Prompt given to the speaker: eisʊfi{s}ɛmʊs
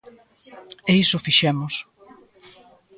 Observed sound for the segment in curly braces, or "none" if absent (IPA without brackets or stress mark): ʃ